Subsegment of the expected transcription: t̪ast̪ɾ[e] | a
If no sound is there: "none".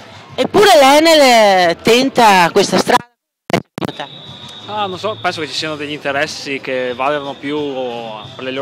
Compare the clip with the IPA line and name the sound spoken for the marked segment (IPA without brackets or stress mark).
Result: a